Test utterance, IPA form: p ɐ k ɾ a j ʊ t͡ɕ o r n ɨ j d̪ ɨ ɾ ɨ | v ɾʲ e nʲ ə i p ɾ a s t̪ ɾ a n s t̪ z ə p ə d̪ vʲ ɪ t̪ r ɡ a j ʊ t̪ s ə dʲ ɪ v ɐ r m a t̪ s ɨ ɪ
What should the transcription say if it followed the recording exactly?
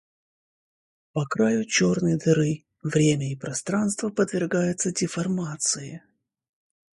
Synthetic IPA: p ɐ k ɾ a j ʊ t͡ɕ o r n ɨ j d̪ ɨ ɾ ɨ | v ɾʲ e mʲ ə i p ɾ ɐ s t̪ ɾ a n s t̪ v ə p ə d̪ vʲ ɪ r ɡ a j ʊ t̪ s ə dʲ ɪ f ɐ r m a t̪ s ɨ ɪ